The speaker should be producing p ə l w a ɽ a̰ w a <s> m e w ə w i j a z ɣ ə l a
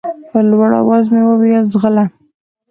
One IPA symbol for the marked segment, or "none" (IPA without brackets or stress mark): z